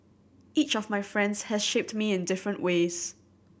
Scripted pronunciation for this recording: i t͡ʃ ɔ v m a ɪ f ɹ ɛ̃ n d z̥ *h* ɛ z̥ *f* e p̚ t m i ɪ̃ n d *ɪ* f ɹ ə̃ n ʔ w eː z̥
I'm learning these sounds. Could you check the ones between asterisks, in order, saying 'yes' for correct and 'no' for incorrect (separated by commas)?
yes, no, yes